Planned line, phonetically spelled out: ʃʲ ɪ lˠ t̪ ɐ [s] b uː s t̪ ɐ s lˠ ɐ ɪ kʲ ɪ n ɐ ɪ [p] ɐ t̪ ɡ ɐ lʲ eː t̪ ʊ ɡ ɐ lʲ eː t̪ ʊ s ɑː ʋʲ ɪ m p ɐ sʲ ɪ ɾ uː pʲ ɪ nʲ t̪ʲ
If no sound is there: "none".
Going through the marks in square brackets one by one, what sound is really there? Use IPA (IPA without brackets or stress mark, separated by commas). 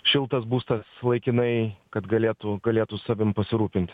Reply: s, k